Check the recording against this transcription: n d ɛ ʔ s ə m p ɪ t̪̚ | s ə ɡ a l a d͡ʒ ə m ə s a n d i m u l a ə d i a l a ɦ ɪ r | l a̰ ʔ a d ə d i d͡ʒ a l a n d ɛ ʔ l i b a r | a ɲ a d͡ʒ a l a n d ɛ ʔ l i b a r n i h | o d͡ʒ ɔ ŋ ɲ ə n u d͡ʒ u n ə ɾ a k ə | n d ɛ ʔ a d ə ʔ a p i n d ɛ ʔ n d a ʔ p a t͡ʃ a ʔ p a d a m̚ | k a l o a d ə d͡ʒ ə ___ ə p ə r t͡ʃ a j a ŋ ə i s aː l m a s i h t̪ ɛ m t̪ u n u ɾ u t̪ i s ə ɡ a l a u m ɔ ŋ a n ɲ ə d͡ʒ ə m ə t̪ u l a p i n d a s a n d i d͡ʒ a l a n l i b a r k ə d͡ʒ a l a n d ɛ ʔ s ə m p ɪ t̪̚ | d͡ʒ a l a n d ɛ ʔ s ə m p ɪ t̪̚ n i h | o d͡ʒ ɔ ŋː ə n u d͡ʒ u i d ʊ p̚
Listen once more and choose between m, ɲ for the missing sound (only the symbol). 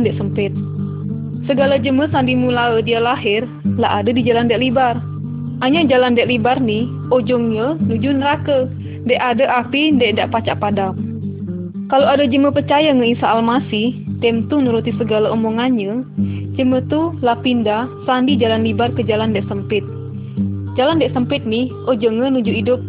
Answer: m